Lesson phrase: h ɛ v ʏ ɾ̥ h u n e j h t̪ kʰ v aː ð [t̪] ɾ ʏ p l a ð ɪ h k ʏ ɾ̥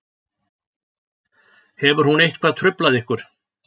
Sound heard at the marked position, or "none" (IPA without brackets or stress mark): t̪ʰ